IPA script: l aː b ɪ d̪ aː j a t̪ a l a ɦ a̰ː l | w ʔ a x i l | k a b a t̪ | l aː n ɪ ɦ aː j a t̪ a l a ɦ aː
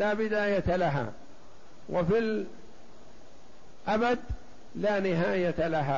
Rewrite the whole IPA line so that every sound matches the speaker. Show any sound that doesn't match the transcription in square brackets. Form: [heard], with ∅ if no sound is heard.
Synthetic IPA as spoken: l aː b ɪ d̪ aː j a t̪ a l a ɦ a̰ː [∅] | w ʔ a [f] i l | [ʔ] a b a [d̪] | l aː n ɪ ɦ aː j a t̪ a l a ɦ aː